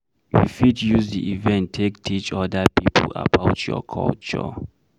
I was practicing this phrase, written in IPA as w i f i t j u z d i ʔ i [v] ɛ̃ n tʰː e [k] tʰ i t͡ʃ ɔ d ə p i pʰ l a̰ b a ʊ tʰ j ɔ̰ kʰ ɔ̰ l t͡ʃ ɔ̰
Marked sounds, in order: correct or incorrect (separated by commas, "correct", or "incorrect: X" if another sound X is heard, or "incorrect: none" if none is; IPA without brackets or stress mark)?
correct, correct